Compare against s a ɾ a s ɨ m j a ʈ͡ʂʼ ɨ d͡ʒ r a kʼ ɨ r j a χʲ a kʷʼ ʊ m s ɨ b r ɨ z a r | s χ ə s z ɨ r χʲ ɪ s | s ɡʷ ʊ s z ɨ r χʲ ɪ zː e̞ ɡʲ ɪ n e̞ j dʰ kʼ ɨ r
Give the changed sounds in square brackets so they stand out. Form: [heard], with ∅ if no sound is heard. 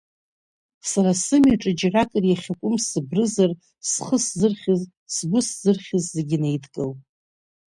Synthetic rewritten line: s a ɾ a s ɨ m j a ʈ͡ʂʼ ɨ d͡ʒ r a kʼ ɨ r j a χʲ a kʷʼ ʊ m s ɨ b r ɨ z a r | s χ ə s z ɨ r χʲ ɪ [z] | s ɡʷ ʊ s z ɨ r χʲ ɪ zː e̞ ɡʲ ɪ n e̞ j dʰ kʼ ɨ [l]